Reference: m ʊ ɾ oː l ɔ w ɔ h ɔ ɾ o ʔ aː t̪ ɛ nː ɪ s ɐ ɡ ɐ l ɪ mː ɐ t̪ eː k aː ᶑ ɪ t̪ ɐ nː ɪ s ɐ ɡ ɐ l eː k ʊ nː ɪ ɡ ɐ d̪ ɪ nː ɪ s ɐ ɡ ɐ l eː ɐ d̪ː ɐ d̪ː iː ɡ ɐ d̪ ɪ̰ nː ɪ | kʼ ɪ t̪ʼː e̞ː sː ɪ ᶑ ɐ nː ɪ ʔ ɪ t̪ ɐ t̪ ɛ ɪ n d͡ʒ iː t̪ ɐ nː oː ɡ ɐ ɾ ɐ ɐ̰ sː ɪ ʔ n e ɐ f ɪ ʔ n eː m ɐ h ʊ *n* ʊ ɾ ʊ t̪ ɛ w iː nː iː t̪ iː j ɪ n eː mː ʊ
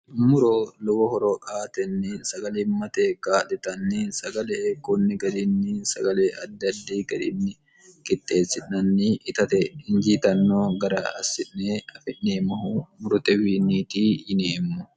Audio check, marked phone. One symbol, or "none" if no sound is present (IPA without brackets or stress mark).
m